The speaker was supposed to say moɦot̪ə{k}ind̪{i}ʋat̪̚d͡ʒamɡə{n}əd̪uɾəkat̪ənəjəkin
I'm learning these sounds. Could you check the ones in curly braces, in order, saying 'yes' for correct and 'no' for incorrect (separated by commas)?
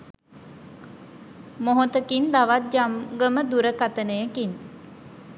yes, no, no